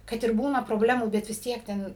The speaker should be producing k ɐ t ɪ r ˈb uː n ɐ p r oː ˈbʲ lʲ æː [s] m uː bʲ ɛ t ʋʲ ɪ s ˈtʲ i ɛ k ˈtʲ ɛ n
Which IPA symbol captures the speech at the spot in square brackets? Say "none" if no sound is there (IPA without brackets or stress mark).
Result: none